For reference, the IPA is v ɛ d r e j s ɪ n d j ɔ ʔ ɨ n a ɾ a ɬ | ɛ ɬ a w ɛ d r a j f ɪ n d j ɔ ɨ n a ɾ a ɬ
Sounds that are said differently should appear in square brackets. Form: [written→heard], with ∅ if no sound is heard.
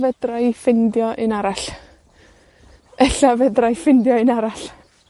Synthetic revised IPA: v ɛ d r [e→a] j [s→f] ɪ n d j ɔ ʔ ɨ n a ɾ a ɬ | ɛ ɬ a [w→v] ɛ d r a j f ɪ n d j ɔ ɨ n a ɾ a ɬ